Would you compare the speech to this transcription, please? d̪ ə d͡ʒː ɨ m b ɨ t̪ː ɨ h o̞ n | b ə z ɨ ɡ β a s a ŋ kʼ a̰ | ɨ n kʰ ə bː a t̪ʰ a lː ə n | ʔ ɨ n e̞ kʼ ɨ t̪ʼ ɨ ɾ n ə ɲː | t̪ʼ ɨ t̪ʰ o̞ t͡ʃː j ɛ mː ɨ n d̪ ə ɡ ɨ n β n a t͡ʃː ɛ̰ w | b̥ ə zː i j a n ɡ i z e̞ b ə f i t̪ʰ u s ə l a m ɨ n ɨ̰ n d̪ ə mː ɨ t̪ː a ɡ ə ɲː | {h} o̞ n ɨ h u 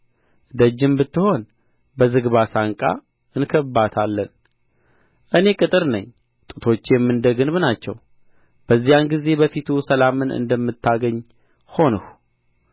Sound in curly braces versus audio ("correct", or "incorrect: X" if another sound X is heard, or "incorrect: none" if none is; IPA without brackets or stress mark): correct